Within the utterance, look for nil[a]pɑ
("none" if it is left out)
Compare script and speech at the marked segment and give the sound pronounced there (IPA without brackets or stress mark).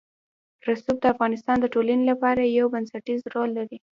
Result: a